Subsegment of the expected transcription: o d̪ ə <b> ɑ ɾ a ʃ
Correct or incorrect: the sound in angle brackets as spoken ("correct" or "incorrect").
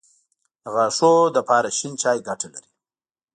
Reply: incorrect